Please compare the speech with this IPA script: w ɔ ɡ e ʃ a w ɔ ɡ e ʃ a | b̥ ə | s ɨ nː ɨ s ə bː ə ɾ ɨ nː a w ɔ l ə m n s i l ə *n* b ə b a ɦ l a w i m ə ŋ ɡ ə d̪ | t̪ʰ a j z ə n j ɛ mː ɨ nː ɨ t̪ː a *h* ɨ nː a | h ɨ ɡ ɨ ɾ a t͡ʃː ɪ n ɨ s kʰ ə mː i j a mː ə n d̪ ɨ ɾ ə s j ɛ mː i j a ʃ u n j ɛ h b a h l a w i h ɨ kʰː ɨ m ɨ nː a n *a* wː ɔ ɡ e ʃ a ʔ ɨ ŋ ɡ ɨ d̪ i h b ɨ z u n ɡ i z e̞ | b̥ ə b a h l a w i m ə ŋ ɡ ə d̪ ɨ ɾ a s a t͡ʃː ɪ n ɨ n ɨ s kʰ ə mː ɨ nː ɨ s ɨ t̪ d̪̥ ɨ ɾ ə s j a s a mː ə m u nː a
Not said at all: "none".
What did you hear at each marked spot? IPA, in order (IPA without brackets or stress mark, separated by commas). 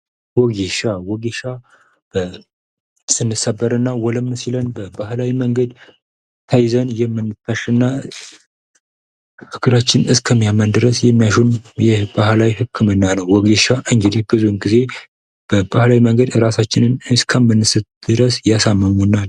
n, ʃ, ə